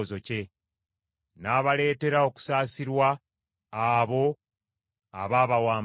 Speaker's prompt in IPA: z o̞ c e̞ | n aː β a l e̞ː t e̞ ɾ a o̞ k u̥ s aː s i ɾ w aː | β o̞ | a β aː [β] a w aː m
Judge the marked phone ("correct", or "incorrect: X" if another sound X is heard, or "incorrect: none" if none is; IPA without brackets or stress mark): correct